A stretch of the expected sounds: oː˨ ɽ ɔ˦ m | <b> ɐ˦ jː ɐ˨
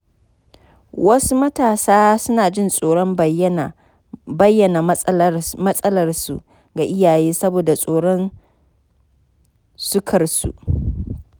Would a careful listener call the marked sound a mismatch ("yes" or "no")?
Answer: no